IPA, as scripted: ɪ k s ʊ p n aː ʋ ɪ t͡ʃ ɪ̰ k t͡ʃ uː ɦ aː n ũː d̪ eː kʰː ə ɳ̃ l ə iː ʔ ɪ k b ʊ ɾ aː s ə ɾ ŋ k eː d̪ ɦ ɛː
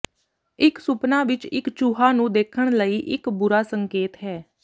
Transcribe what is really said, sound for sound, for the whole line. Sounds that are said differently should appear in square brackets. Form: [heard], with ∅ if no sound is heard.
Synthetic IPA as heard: ɪ k s ʊ p n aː ʋ ɪ t͡ʃ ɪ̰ k t͡ʃ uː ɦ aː n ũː d̪ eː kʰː ə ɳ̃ l ə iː ʔ ɪ k b ʊ ɾ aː s ə [∅] ŋ k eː [t̪] ɦ ɛː